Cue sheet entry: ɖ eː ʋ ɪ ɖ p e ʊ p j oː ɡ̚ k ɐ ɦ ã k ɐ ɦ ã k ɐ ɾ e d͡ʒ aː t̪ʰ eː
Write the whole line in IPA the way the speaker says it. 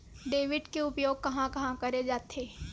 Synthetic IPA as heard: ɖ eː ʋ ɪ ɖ k e ʊ p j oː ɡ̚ k ɐ ɦ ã k ɐ ɦ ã k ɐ ɾ e d͡ʒ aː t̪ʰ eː

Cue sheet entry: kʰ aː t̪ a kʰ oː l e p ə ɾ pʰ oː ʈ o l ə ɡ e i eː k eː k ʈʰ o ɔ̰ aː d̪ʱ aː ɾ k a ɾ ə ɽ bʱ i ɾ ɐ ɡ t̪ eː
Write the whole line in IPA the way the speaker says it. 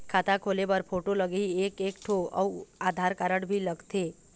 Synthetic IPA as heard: kʰ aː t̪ a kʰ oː l e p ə ɾ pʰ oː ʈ o l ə ɡ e i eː k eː k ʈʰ o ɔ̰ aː d̪ʱ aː ɾ k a ɾ ə ɽ bʱ i l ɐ ɡ t̪ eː

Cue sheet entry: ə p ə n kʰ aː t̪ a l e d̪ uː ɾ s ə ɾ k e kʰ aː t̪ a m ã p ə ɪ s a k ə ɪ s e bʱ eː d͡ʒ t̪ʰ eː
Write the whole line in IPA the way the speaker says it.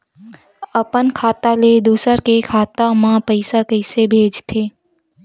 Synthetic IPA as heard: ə p ə n kʰ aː t̪ a l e d̪ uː s ə ɾ k e kʰ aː t̪ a m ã p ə ɪ s a k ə ɪ s e bʱ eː d͡ʒ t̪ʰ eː

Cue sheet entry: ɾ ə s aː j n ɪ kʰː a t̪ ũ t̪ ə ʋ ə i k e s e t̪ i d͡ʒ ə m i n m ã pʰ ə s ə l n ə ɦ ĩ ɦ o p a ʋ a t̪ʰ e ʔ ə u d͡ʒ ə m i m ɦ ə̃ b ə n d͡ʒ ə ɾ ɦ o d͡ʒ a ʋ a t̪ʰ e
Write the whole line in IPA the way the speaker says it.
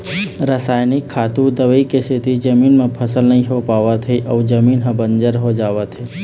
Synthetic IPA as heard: ɾ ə s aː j n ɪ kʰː a t̪ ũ d̪ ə ʋ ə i k e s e t̪ i d͡ʒ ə m i n m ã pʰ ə s ə l n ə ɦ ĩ ɦ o p a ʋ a t̪ʰ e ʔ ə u d͡ʒ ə m i n ɦ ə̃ b ə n d͡ʒ ə ɾ ɦ o d͡ʒ a ʋ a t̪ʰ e

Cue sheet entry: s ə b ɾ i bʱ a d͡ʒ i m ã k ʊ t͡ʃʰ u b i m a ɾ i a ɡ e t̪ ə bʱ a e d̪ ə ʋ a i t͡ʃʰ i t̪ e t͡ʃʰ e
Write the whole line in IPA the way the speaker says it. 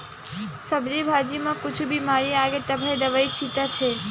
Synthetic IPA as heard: s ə b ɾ i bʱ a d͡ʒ i m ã k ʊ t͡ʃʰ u b i m a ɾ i a ɡ e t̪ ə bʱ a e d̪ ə ʋ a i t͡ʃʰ i t̪ a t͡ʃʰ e

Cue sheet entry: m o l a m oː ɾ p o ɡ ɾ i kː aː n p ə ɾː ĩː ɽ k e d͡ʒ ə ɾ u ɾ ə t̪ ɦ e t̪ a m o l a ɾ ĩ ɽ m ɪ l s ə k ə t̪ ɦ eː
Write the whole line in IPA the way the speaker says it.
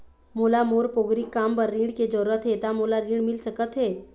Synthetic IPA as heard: m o l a m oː ɾ p o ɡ ɾ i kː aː m p ə ɾː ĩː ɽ k e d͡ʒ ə ɾ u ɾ ə t̪ ɦ e t̪ a m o l a ɾ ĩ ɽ m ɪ l s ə k ə t̪ ɦ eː

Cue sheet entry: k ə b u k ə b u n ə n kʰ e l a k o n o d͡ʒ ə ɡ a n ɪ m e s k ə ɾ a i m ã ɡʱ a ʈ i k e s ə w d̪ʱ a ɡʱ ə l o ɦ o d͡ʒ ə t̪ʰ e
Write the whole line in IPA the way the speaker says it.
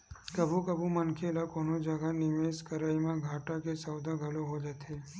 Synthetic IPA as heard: k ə b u k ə b u m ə n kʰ e l a k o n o d͡ʒ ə ɡ a n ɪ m e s k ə ɾ a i m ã ɡʱ a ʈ a k e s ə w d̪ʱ a ɡʱ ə l o ɦ o d͡ʒ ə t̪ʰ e

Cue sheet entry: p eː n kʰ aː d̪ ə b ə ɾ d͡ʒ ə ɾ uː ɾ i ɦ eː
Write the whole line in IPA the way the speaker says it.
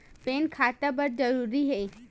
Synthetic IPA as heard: p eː n kʰ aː t̪ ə b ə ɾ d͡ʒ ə ɾ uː ɾ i ɦ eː

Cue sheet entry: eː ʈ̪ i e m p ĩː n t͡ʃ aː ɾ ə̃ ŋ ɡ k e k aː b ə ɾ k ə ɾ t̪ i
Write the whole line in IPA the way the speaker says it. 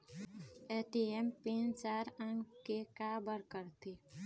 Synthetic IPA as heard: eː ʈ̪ i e m p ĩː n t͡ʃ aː ɾ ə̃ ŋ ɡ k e k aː b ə ɾ k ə ɾ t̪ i

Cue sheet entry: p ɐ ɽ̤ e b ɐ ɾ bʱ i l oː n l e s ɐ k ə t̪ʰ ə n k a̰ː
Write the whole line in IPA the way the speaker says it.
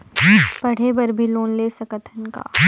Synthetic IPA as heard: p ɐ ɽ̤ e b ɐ ɾ bʱ i l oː n l e s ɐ k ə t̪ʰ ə n k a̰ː

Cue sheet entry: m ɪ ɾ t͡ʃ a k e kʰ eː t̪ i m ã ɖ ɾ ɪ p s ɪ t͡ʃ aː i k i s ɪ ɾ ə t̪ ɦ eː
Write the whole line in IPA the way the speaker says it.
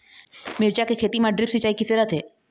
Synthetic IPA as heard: m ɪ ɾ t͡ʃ a k e kʰ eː t̪ i m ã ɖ ɾ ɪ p s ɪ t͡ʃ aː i k i s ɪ ɾ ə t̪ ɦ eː

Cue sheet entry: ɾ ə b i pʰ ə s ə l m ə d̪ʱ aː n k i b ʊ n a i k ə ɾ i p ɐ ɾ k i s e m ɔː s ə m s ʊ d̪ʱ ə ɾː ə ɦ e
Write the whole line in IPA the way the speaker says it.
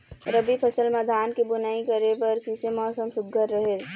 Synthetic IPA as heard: ɾ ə b i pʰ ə s ə l m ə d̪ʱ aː n k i b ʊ n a i k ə ɾ e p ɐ ɾ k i s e m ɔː s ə m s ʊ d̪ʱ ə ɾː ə ɦ e

